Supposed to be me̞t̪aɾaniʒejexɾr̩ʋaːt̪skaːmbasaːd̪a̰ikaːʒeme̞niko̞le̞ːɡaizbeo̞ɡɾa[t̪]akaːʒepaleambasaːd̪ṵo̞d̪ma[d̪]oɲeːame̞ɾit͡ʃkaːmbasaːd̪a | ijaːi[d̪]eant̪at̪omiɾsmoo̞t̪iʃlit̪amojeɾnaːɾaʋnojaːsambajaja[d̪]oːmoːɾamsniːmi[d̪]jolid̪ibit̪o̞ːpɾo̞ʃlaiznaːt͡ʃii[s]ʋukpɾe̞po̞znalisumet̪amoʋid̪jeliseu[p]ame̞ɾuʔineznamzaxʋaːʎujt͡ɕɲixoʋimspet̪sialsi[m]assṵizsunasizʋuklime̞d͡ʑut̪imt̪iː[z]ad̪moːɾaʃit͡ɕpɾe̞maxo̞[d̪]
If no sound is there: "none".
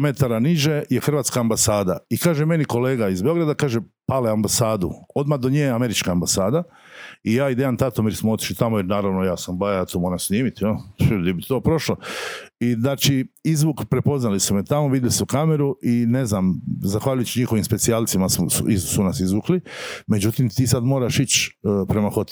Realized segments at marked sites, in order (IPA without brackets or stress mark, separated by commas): d̪, d̪, d̪, t̪, t̪, z, k, m, s, t̪